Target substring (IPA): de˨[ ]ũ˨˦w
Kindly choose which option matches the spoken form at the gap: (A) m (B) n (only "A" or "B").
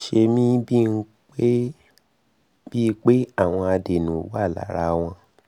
B